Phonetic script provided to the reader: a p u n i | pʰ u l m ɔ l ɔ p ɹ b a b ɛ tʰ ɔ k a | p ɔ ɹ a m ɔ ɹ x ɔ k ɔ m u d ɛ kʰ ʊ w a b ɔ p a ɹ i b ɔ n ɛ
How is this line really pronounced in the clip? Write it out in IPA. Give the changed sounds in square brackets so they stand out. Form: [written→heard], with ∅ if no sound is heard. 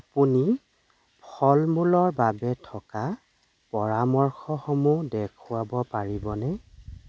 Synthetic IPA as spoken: a p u n i | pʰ [u→ɔ] l m [ɔ→u] l ɔ [p→∅] ɹ b a b ɛ tʰ ɔ k a | p ɔ ɹ a m ɔ ɹ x ɔ [k→x] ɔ m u d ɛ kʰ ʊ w a b ɔ p a ɹ i b ɔ n ɛ